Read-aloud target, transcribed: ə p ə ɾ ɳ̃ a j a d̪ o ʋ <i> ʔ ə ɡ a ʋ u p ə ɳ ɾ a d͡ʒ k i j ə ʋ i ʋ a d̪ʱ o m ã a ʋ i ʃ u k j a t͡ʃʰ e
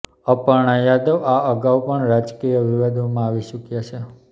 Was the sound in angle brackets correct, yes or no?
no